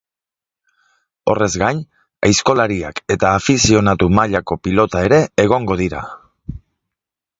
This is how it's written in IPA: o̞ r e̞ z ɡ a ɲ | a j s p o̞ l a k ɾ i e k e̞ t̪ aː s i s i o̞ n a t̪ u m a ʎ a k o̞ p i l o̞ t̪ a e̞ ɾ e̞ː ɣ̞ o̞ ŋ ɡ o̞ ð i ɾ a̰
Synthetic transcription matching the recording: o̞ r e̞ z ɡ a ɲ | a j s k o̞ l a ɾ i a k e̞ t̪ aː f i s i o̞ n a t̪ u m a ʎ a k o̞ p i l o̞ t̪ a e̞ ɾ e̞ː ɣ̞ o̞ ŋ ɡ o̞ ð i ɾ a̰